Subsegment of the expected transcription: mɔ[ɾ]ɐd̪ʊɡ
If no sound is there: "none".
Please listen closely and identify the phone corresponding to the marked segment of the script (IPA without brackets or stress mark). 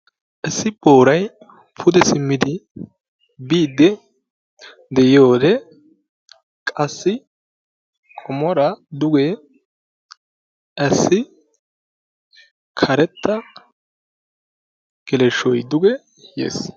ɾ